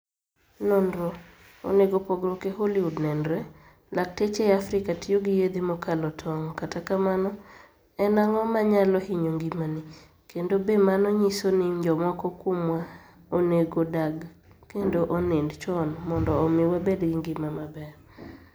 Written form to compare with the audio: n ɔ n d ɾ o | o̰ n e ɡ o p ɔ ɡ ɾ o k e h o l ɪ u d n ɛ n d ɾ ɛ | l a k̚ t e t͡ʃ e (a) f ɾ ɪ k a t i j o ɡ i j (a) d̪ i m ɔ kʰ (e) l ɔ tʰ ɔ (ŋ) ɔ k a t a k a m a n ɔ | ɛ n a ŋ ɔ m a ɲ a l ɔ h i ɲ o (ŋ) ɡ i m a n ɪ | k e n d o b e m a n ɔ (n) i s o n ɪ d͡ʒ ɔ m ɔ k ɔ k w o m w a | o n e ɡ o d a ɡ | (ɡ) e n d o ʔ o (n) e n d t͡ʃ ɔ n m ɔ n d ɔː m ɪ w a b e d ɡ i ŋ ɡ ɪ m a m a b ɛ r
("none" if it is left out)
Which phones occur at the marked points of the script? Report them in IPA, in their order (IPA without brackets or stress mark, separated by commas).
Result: a, e, a, ŋ, ŋ, ɲ, k, n